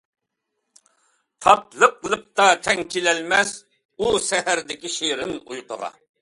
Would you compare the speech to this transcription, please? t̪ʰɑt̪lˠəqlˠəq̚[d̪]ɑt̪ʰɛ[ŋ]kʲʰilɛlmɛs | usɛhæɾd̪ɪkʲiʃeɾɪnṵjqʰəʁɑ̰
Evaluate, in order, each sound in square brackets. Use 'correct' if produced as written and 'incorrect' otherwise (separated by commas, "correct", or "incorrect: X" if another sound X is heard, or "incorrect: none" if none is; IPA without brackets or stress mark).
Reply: incorrect: t̪, correct